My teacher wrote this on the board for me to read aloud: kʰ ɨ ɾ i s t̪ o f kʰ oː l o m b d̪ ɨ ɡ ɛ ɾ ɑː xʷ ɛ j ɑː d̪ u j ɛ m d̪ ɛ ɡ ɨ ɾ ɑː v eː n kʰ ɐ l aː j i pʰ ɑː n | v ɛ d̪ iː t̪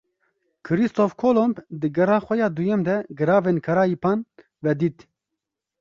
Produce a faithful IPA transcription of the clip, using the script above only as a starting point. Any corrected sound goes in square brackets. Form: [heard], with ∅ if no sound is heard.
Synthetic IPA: kʰ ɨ ɾ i s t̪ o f kʰ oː l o m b d̪ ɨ ɡ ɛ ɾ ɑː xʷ ɛ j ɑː d̪ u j ɛ m d̪ ɛ ɡ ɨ ɾ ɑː v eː n kʰ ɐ [ɾ] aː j i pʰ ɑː n | v ɛ d̪ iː t̪